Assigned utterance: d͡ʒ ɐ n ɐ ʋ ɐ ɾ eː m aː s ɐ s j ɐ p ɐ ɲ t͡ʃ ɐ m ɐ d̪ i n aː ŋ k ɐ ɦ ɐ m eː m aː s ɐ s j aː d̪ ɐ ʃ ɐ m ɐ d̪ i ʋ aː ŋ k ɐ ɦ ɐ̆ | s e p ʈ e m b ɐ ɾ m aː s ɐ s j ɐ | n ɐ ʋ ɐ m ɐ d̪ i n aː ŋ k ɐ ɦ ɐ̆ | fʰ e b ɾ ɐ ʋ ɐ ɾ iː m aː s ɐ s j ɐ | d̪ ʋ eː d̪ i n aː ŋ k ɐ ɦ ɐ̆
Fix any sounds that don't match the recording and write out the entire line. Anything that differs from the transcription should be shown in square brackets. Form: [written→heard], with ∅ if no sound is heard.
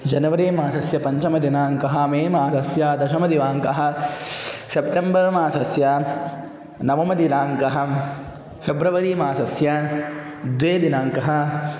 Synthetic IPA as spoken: d͡ʒ ɐ n ɐ ʋ ɐ ɾ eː m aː s ɐ s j ɐ p ɐ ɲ t͡ʃ ɐ m ɐ d̪ i n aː ŋ k ɐ ɦ ɐ m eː m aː s ɐ s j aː d̪ ɐ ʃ ɐ m ɐ d̪ i ʋ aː ŋ k ɐ ɦ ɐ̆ | s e p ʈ e m b ɐ ɾ m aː s ɐ s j ɐ | n ɐ ʋ ɐ m ɐ d̪ i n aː ŋ k ɐ ɦ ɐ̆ | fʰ e b ɾ ɐ ʋ ɐ ɾ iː m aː s ɐ s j ɐ | d̪ ʋ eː d̪ i n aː ŋ k ɐ ɦ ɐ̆